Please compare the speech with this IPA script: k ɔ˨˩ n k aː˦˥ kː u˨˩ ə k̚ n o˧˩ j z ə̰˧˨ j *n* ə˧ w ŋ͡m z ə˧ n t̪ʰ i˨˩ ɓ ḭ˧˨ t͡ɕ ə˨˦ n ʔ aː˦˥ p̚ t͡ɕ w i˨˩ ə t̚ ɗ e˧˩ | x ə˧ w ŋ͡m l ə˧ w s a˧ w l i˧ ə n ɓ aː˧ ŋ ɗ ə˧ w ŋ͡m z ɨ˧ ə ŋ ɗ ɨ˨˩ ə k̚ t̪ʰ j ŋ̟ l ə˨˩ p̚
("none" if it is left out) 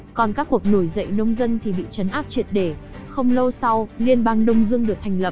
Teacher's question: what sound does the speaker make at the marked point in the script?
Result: n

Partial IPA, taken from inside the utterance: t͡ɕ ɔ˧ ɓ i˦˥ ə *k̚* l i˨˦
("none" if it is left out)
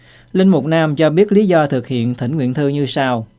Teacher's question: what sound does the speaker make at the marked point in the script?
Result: t̚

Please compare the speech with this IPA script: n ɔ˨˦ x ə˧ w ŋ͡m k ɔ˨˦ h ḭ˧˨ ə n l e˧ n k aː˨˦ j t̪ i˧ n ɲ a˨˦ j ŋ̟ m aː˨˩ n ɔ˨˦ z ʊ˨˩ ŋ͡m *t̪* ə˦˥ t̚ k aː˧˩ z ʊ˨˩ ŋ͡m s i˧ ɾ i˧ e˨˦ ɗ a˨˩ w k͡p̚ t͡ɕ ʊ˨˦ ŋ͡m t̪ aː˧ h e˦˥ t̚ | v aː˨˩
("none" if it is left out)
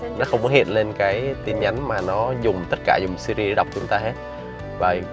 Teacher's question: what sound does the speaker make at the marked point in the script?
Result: t̪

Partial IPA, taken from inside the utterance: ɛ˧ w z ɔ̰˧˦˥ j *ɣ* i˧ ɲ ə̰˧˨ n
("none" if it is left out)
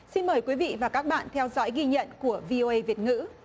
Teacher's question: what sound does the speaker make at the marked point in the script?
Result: ɣ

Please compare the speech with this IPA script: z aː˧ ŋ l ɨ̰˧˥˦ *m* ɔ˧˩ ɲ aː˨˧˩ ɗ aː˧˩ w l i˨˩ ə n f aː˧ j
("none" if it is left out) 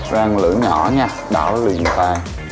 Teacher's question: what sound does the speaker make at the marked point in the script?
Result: ɲ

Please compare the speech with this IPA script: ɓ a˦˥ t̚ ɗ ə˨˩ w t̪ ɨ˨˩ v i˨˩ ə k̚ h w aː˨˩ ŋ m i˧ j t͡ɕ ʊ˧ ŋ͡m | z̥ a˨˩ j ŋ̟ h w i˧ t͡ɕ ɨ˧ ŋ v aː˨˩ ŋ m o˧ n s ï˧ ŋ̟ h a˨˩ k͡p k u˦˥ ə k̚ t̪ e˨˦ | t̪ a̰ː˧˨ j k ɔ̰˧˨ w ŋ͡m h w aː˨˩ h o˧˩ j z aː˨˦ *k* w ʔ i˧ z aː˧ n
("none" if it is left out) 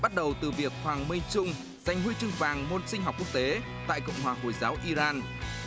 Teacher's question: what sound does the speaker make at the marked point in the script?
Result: none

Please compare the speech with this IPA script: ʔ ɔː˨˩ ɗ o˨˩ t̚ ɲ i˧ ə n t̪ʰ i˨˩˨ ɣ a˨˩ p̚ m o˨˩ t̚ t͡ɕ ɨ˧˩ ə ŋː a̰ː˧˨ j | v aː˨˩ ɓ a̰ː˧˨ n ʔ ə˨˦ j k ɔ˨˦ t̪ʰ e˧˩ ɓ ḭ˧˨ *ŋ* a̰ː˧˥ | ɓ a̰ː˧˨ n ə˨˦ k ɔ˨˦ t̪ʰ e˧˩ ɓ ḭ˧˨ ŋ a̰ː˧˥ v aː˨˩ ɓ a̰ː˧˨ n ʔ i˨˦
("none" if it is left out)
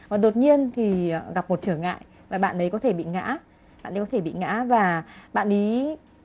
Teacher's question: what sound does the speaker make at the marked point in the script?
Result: ŋ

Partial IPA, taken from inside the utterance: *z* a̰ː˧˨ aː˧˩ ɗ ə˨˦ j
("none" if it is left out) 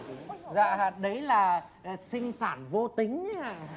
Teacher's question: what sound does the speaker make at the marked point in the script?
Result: z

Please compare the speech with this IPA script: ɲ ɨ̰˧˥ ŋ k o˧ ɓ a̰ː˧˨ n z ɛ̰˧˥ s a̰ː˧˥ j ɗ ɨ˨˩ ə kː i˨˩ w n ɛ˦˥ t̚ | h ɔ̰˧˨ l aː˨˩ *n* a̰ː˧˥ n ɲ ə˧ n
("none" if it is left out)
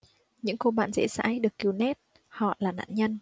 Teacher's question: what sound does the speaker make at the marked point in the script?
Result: n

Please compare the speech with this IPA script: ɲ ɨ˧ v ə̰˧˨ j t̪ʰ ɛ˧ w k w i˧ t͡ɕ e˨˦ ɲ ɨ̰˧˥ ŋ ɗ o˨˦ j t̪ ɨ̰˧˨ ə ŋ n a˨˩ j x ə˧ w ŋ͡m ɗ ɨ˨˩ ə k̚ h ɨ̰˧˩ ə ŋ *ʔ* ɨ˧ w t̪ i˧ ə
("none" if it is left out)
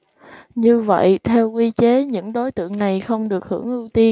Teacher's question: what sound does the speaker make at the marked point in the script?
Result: ʔ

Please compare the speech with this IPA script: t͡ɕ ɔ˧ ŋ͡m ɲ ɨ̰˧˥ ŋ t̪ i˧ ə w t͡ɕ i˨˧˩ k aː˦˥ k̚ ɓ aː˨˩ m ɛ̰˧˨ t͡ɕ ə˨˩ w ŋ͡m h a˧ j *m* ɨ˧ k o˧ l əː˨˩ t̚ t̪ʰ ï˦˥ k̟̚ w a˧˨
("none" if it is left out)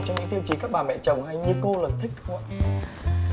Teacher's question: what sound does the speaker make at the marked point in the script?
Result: ɲ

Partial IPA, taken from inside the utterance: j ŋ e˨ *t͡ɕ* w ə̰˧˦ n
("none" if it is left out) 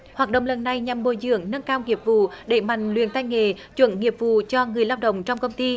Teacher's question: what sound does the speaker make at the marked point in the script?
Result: t͡ɕ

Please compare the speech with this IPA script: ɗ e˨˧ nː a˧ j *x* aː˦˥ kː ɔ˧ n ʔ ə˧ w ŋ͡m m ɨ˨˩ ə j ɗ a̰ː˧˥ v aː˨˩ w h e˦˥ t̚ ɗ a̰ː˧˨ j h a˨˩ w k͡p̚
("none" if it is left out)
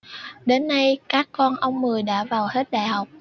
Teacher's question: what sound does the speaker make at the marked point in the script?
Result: k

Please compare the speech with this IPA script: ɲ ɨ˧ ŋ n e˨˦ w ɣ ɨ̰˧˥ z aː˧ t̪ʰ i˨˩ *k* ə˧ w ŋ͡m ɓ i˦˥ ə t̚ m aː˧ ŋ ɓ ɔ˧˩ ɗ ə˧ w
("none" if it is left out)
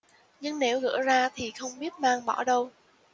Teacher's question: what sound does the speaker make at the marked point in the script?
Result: x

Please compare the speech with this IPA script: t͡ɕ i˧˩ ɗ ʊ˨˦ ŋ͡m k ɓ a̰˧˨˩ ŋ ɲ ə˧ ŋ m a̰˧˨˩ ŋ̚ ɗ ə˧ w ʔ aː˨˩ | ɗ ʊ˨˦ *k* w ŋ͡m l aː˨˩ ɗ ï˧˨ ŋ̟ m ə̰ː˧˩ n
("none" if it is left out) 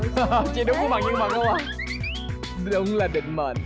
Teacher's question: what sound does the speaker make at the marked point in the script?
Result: none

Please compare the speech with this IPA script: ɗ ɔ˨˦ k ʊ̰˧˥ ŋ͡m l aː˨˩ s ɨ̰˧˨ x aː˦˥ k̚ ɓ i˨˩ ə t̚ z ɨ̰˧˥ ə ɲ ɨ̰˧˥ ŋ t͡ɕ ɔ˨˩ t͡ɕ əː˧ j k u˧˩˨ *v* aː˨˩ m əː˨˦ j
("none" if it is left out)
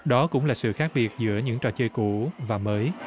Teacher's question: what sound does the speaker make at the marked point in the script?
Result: v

